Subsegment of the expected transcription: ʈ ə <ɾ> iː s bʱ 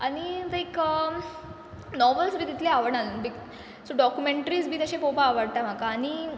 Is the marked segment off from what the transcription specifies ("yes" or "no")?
no